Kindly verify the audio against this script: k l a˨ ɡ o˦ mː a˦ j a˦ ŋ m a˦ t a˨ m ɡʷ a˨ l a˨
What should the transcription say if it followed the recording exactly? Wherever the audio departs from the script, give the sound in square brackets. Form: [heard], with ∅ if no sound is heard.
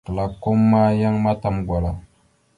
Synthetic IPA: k l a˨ [k] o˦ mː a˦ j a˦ ŋ m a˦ t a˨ m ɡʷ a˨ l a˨